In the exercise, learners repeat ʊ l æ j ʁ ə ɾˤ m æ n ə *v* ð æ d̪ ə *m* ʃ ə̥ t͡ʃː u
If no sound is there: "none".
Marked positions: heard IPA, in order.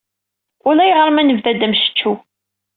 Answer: v, m

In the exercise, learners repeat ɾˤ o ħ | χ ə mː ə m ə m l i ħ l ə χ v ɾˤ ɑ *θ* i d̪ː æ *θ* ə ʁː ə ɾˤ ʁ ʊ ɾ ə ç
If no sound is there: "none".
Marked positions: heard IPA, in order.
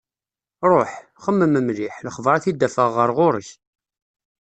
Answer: θ, f

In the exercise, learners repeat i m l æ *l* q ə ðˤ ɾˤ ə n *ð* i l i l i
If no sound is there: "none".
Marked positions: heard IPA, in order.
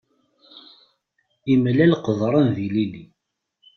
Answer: l, ð

